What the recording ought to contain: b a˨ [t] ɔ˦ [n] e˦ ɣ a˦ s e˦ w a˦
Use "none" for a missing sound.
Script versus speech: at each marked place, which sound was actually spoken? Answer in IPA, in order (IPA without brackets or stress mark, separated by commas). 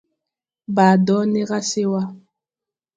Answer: d, n